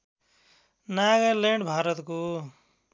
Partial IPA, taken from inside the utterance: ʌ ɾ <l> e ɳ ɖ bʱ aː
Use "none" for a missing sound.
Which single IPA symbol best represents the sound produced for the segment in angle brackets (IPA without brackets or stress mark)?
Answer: l